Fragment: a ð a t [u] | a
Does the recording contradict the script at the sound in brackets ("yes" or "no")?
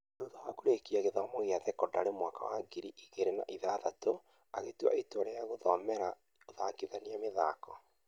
yes